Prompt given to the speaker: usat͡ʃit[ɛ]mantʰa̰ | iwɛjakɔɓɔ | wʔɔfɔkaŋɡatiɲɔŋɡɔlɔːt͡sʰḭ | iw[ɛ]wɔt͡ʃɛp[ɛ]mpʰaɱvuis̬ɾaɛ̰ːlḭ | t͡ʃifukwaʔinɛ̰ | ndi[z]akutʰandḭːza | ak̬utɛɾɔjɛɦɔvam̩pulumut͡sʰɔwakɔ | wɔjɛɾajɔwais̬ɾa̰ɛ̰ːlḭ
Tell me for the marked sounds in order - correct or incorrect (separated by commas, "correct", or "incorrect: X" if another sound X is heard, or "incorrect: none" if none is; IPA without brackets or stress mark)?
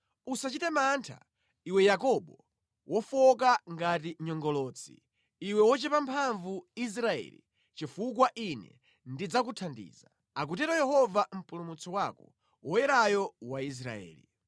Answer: correct, correct, incorrect: a, incorrect: d͡z